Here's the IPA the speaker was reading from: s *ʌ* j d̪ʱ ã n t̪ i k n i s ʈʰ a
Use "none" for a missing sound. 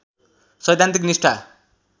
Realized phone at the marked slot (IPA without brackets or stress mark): ʌ